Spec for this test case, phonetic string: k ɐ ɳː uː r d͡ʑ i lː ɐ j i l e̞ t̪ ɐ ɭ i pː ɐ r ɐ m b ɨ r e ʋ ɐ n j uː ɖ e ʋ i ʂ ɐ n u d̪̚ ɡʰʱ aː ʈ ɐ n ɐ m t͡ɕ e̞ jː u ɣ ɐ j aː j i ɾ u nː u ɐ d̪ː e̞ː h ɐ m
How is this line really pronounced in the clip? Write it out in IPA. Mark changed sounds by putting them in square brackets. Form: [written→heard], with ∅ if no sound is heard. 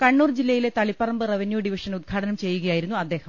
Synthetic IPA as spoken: k ɐ ɳː uː r d͡ʑ i lː ɐ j i l e̞ t̪ ɐ ɭ i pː ɐ r ɐ m b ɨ r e ʋ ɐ n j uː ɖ [e→i] ʋ i ʂ ɐ n u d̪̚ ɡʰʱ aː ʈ ɐ n ɐ m t͡ɕ e̞ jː u ɣ ɐ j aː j i ɾ u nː u ɐ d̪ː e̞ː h ɐ m